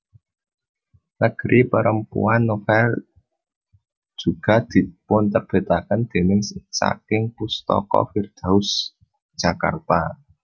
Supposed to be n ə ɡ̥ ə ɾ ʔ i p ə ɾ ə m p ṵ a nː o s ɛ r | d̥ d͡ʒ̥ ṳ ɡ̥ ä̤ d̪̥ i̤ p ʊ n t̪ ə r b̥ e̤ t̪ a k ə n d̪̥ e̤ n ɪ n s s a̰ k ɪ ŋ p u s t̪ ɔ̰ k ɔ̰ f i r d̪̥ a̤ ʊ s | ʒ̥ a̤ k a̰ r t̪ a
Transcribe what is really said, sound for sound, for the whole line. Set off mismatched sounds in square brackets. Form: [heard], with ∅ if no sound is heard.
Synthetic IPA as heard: n ə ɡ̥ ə ɾ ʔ i p ə ɾ ə m p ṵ a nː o [f] ɛ [l] | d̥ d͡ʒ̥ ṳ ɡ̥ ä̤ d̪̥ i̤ p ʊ n t̪ ə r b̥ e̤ t̪ a k ə n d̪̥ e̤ n ɪ [ŋ] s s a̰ k ɪ ŋ p u s t̪ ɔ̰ k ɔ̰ f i r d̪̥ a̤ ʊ s | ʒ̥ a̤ k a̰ r t̪ a